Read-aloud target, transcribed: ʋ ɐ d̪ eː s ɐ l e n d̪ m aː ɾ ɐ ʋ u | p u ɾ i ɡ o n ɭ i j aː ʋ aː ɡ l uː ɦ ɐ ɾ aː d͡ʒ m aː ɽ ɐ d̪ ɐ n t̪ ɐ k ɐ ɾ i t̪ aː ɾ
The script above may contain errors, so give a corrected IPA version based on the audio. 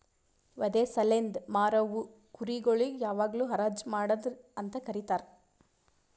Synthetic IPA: ʋ ɐ d̪ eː s ɐ l e n d̪ m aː ɾ ɐ ʋ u | k u ɾ i ɡ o ɭ i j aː ʋ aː ɡ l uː ɦ ɐ ɾ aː d͡ʒ m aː ɽ ɐ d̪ ɐ n t̪ ɐ k ɐ ɾ i t̪ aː ɾ